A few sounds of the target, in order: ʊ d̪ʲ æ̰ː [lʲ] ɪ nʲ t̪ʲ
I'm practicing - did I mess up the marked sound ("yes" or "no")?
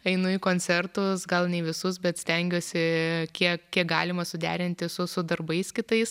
yes